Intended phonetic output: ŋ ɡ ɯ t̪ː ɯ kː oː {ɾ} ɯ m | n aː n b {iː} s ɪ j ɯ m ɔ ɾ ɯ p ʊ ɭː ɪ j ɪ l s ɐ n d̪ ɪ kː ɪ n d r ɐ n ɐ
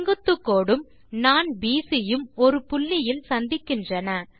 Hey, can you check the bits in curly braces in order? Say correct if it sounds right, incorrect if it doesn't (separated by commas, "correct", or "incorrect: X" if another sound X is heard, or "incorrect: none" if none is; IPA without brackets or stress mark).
incorrect: ɽ, correct